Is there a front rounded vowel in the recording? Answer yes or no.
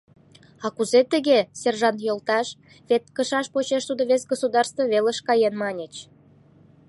no